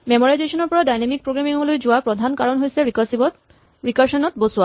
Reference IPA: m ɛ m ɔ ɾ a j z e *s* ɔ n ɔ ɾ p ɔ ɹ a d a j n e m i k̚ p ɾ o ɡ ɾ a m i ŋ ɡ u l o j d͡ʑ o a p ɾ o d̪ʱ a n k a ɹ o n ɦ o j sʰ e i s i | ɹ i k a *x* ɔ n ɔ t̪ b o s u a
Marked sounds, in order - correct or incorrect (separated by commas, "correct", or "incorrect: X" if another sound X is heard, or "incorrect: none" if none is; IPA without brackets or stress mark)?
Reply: incorrect: ʃ, incorrect: ʃ